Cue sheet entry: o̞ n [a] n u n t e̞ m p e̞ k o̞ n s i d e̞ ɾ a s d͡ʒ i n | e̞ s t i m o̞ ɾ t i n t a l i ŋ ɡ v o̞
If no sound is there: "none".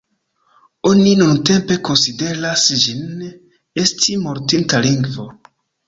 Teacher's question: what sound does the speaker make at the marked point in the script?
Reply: i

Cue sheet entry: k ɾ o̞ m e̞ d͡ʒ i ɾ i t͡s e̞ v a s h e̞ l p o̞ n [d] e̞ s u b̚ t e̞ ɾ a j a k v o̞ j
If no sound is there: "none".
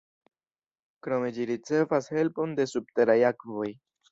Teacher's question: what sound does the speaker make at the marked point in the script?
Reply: d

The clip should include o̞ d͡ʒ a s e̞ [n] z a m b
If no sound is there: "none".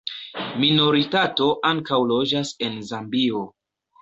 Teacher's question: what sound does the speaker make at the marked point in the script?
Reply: n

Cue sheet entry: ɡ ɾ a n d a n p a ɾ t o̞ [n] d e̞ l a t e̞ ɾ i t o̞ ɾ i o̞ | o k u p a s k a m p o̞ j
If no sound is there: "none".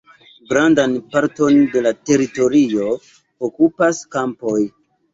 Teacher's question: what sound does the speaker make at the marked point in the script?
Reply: n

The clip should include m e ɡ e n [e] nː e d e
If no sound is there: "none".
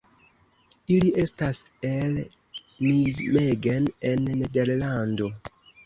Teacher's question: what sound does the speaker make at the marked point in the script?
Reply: e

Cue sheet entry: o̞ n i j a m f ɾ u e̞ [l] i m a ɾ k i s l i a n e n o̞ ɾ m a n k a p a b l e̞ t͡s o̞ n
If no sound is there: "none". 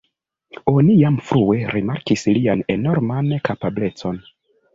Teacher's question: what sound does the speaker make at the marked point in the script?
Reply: ɾ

